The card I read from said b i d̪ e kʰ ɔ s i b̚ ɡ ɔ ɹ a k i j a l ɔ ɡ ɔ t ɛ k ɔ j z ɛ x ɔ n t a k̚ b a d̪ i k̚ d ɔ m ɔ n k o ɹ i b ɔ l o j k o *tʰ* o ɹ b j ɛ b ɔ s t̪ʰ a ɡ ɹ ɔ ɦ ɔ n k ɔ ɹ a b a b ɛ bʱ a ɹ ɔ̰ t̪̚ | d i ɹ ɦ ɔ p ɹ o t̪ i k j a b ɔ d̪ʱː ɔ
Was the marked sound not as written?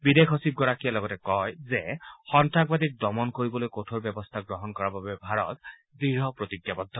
no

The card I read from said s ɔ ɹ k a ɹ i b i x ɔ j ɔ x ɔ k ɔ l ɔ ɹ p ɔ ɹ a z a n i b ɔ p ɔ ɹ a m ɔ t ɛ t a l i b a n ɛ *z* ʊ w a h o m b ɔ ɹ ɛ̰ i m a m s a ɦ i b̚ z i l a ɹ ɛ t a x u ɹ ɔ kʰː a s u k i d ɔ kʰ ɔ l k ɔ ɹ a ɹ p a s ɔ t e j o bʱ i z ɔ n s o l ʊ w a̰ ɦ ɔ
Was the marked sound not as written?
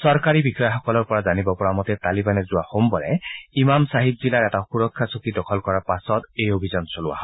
no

